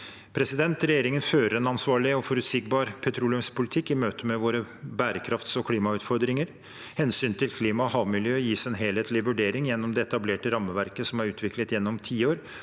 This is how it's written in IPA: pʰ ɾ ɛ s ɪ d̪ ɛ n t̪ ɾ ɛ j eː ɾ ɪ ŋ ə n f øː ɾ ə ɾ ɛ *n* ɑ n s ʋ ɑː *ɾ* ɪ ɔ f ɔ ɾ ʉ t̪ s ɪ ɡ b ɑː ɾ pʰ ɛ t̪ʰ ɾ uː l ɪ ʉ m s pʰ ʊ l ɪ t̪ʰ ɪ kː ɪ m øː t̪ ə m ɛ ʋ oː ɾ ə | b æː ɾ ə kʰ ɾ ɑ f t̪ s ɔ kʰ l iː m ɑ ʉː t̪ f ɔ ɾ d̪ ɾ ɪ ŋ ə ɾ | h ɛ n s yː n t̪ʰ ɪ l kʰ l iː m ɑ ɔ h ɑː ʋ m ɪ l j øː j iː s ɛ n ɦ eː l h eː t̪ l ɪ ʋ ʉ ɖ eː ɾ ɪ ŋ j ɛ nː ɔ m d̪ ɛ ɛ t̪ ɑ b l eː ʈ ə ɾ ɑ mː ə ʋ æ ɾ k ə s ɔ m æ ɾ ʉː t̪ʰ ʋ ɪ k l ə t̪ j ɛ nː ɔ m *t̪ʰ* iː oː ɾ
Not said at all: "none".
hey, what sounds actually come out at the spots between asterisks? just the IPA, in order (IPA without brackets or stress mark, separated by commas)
n, ɭ, t̪ʰ